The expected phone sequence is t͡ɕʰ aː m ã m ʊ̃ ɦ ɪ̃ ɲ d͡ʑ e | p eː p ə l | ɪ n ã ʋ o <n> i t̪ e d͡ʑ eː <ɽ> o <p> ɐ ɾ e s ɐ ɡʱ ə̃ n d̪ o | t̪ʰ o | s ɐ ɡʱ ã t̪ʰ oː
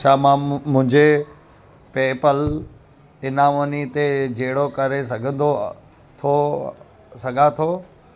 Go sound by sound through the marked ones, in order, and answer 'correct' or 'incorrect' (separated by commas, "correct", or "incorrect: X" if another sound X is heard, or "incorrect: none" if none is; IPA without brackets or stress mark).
correct, correct, incorrect: k